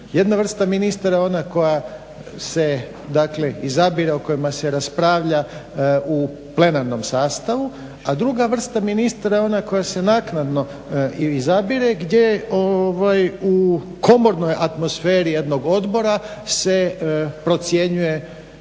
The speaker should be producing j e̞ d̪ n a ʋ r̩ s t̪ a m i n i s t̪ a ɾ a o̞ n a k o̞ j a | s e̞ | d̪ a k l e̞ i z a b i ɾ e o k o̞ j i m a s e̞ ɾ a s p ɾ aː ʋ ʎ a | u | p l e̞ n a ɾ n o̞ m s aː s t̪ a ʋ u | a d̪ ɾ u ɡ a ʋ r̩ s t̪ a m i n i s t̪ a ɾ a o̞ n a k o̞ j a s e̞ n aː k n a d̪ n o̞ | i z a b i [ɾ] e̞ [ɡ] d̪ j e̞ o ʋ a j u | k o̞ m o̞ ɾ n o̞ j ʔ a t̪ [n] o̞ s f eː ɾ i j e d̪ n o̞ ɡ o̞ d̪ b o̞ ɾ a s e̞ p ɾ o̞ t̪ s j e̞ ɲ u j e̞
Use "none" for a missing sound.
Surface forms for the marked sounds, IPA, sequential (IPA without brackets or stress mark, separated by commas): ɾ, ɡ, m